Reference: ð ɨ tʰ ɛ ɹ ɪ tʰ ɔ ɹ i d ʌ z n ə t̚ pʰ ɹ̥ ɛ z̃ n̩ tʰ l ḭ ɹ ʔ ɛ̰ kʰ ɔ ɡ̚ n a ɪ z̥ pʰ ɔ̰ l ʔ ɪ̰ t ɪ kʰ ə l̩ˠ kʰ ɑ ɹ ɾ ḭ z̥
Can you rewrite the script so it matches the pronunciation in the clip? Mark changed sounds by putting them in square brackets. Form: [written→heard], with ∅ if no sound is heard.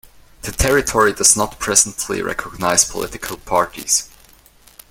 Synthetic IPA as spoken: ð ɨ tʰ ɛ ɹ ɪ tʰ ɔ ɹ i d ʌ z n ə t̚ pʰ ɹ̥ ɛ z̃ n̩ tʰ l ḭ ɹ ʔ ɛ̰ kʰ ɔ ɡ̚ n a ɪ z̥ pʰ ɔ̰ l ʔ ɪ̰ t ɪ kʰ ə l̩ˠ [kʰ→pʰ] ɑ ɹ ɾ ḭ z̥